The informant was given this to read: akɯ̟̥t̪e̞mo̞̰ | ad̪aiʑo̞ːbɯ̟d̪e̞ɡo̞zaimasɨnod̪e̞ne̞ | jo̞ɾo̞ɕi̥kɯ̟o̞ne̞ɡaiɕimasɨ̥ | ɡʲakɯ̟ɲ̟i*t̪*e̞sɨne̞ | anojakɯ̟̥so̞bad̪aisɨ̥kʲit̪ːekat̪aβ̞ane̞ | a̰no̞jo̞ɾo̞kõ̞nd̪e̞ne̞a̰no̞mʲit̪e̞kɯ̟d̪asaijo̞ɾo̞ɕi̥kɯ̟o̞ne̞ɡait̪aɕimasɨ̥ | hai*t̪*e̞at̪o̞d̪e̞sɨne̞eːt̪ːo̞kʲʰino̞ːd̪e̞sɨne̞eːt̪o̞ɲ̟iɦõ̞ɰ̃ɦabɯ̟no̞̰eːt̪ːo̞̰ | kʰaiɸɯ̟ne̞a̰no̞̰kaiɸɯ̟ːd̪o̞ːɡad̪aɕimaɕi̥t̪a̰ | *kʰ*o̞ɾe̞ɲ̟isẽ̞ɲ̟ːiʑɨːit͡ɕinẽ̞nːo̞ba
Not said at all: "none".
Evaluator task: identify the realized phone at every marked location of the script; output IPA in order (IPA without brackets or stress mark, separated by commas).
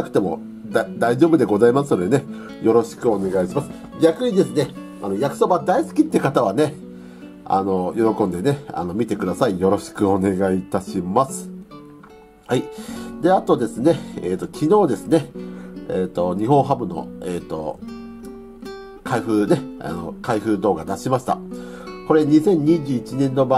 d̪, d̪, k